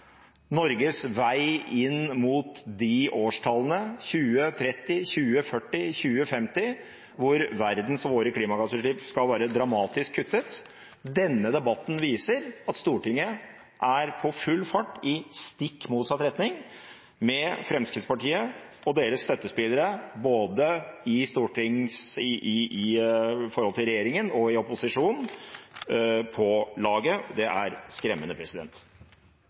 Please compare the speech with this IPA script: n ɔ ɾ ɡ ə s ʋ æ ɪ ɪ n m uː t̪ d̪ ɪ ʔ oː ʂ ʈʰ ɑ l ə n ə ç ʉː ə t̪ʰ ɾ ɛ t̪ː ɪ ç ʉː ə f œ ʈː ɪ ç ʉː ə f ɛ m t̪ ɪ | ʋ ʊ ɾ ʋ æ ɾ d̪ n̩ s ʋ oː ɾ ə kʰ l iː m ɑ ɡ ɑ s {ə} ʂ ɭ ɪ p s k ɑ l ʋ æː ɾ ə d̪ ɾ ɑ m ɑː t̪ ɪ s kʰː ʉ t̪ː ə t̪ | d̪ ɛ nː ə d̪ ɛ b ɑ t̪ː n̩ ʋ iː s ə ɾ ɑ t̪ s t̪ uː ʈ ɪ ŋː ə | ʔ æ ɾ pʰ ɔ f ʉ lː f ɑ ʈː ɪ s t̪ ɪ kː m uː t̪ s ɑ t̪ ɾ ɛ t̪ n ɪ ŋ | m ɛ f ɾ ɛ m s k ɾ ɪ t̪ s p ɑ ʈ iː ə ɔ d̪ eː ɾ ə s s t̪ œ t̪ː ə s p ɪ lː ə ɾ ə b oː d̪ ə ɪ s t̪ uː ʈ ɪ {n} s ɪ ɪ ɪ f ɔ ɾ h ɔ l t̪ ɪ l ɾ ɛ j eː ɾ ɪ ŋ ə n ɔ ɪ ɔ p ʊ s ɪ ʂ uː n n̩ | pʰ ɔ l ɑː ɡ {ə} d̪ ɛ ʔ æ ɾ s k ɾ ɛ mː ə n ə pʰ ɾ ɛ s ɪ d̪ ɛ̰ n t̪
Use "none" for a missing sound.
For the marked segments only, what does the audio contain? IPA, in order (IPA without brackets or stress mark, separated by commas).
ə, ŋ, ə